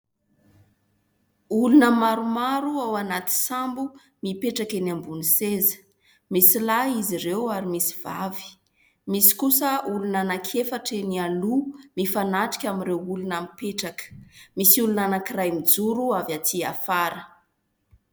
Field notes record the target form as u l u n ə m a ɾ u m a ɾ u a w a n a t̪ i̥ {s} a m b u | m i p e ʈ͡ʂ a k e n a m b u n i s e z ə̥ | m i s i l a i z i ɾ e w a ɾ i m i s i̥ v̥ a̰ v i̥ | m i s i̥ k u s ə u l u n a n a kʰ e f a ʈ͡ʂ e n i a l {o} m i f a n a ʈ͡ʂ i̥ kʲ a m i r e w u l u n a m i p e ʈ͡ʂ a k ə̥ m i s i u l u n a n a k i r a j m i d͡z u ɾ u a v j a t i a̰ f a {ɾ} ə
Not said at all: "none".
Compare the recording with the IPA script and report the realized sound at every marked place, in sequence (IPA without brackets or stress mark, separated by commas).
s, u, ɾ